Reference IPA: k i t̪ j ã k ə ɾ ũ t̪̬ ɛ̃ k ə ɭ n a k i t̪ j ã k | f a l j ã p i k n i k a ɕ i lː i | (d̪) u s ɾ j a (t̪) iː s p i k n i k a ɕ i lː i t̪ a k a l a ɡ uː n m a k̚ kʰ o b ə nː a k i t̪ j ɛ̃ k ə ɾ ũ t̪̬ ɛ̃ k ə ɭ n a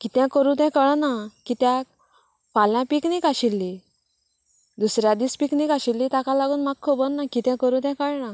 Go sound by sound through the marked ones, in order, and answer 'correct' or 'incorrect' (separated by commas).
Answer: correct, incorrect